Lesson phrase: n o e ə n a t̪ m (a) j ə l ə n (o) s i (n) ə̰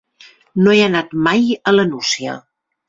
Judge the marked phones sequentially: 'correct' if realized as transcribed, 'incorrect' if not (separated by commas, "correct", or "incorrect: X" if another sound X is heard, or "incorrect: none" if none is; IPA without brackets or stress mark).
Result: correct, incorrect: u, incorrect: none